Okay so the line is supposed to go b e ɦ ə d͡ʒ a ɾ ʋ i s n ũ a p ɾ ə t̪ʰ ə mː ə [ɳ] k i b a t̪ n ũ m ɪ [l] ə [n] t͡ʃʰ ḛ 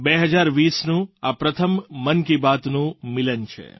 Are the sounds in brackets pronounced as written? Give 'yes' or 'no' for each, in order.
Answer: no, yes, yes

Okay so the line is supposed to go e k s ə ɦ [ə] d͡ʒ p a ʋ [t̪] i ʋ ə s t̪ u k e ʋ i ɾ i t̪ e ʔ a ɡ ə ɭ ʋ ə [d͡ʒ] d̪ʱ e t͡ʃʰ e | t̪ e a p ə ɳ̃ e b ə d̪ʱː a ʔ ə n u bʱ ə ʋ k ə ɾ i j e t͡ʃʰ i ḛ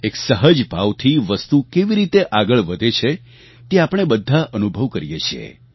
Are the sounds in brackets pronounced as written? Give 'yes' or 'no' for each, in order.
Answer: yes, no, no

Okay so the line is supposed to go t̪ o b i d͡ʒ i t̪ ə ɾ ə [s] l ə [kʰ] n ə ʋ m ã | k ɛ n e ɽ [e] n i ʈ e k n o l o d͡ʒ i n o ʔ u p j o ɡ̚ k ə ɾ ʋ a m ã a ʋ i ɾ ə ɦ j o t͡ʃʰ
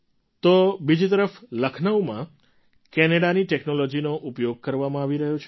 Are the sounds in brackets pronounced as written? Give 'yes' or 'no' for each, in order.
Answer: no, yes, no

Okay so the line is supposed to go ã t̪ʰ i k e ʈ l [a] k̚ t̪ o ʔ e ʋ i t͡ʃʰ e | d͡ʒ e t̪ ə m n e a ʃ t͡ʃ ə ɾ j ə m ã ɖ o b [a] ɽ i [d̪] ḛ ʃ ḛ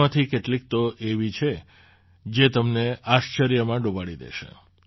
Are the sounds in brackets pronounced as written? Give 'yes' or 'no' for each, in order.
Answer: no, yes, yes

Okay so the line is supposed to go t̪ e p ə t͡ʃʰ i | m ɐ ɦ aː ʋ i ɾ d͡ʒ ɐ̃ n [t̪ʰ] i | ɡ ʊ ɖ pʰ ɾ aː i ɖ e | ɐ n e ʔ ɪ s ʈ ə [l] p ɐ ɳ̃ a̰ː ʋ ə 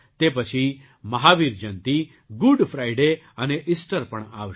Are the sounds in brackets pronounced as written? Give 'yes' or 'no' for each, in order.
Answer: no, no

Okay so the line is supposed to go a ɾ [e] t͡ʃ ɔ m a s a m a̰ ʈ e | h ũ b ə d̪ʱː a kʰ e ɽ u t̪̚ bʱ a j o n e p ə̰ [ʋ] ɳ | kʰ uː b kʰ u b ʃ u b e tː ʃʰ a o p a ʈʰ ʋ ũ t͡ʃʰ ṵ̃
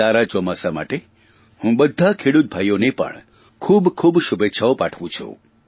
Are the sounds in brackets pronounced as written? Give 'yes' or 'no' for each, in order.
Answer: no, no

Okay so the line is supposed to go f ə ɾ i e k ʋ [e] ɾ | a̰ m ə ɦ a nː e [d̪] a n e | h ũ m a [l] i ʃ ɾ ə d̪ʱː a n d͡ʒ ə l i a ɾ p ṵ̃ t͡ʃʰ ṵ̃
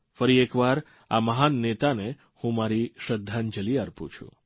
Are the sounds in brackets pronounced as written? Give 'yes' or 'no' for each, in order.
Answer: no, no, no

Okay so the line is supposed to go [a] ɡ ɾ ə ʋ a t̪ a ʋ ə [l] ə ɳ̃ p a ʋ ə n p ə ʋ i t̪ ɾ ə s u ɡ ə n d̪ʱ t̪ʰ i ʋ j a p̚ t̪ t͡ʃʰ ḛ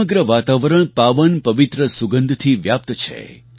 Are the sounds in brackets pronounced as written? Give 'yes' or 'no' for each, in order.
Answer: no, no

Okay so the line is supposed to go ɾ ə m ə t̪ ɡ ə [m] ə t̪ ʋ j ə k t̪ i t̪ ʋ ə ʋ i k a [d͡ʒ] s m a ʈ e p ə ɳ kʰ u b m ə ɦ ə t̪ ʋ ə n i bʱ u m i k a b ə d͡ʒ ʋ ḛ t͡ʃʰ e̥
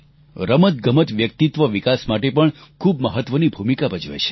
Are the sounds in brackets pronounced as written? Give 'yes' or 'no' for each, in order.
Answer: yes, no

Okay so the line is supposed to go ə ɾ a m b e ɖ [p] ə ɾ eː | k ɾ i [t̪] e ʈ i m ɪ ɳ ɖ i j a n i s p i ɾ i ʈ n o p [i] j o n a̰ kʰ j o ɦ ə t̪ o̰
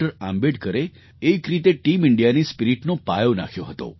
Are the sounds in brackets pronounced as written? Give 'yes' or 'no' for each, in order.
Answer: no, yes, no

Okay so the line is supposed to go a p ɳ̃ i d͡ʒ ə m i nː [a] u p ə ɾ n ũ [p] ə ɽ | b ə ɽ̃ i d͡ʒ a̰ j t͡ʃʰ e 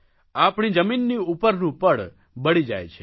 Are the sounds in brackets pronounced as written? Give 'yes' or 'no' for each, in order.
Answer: no, yes

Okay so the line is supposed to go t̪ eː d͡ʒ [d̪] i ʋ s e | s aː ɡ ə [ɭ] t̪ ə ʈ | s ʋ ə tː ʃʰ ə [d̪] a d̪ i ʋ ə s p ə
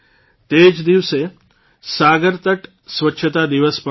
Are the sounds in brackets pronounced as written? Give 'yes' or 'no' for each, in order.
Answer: yes, no, no

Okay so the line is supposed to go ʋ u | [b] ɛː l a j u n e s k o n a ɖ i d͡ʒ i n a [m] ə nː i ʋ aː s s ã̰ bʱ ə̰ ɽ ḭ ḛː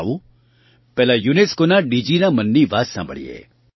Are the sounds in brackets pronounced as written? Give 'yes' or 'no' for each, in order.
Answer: no, yes

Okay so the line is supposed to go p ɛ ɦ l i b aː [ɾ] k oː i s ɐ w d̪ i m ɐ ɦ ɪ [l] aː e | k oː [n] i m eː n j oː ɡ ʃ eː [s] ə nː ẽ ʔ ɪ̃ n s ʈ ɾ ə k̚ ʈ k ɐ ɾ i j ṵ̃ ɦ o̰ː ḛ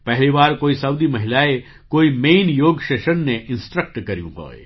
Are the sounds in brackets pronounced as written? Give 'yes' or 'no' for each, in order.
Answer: yes, yes, no, no

